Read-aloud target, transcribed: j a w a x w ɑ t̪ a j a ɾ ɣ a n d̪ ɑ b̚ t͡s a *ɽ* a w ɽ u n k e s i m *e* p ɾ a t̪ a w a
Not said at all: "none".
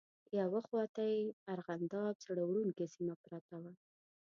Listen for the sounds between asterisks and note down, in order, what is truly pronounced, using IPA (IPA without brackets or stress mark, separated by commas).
ɽ, a